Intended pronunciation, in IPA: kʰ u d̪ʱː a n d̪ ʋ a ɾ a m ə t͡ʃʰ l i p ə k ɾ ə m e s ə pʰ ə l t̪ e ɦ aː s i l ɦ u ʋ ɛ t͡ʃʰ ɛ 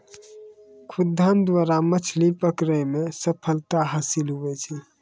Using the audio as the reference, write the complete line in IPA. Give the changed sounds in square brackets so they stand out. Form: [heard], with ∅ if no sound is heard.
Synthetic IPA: kʰ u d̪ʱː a n d̪ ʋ a ɾ a m ə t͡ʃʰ l i p ə k ɾ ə m e s ə pʰ ə l t̪ [a] ɦ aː s i l ɦ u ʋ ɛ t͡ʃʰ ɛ